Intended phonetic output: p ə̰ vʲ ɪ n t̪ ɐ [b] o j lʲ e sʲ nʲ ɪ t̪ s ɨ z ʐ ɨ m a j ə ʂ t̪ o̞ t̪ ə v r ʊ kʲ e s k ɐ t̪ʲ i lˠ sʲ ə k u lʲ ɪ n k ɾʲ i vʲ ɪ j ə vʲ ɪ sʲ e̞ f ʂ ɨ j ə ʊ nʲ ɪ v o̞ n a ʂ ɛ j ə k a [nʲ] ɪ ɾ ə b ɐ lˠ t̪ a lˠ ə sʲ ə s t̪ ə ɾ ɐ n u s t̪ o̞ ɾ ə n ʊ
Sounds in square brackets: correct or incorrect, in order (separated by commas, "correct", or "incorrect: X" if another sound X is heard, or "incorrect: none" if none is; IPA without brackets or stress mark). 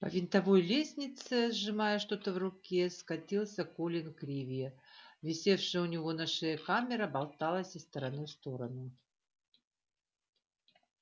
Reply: incorrect: v, incorrect: mʲ